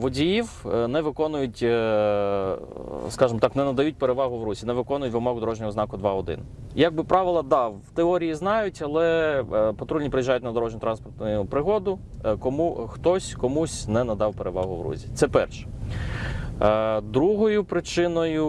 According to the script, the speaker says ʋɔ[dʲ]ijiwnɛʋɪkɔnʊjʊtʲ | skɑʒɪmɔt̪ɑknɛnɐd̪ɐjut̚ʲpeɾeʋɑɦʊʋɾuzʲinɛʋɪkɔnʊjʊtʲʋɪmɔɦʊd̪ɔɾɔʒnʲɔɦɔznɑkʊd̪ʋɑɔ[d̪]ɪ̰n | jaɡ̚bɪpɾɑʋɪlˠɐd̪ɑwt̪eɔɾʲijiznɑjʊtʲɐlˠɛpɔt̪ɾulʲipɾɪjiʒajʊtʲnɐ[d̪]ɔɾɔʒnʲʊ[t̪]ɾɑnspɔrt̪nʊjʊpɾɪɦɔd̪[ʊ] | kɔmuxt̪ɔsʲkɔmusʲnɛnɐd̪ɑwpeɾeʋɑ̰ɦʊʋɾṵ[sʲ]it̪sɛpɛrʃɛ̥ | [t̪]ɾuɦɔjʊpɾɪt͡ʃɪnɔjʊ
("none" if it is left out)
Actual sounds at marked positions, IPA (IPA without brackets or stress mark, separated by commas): dʲ, d̪, d̪, t̪, ʊ, zʲ, d̪